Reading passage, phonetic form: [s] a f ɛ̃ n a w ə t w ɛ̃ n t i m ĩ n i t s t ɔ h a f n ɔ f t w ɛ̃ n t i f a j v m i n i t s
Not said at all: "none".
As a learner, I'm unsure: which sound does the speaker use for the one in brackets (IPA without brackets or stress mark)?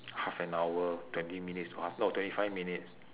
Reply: h